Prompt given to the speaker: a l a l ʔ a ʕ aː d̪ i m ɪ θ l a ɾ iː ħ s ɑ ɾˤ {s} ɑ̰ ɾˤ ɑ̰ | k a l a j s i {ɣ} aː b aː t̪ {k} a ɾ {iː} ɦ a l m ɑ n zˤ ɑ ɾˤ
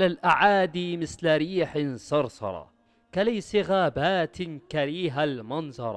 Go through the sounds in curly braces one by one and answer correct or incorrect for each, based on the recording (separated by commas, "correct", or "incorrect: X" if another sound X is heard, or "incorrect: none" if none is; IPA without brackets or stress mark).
correct, correct, correct, correct